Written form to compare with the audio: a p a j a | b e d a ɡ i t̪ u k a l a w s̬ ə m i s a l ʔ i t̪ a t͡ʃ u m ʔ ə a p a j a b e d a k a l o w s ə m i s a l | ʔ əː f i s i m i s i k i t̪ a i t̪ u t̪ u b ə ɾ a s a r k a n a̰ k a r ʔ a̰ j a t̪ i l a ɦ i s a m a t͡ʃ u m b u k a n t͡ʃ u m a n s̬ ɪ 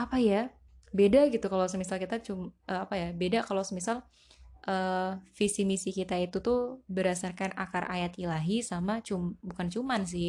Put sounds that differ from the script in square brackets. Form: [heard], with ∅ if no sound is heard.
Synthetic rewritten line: a p a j a | b e d a ɡ i t̪ u k a l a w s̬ ə m i s a l [k] i t̪ a t͡ʃ u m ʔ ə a p a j a b e d a k a l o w s ə m i s a l | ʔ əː f i s i m i s i k i t̪ a i t̪ u t̪ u b ə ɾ a s a r k a n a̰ k a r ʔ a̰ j a t̪ i l a ɦ i s a m a t͡ʃ u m b u k a n t͡ʃ u m a n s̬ ɪ